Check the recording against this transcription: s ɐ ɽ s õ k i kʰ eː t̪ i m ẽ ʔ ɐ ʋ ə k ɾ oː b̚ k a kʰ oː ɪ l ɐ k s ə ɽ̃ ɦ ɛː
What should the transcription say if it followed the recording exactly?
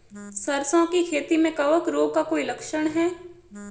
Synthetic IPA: s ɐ ɾ s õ k i kʰ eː t̪ i m ẽ k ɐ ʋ ə k ɾ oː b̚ k a k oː i l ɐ k ʃ ə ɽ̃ ɦ ɛː